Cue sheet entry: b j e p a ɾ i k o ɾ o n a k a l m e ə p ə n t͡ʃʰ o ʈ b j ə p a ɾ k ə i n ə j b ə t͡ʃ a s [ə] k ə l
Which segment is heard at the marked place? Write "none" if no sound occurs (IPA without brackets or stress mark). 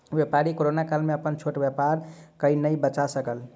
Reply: ə